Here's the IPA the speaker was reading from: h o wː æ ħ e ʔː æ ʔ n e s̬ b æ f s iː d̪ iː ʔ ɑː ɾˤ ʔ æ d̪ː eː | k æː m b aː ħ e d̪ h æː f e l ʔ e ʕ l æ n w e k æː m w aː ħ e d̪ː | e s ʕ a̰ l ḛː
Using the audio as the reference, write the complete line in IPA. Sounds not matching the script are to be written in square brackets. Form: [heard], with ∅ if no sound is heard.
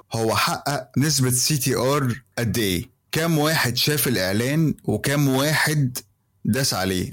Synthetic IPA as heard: h o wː æ ħ [a] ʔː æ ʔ n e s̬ b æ [∅] s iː [t̪] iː ʔ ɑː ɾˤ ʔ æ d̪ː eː | k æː m [w] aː ħ e d̪ [ʃ] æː f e l ʔ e ʕ l [æː] n w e k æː m w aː ħ e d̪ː | [æ] s ʕ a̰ l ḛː